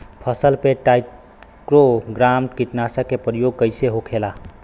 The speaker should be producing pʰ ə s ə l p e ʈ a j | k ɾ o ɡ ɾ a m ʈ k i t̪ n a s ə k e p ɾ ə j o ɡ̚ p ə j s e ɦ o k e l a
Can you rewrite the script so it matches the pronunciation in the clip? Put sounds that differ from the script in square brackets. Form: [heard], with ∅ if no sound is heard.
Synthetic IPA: pʰ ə s ə l p e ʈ a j | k ɾ o ɡ ɾ a m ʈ k i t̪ n a s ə k e p ɾ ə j o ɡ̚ [k] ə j s e ɦ o [kʰ] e l a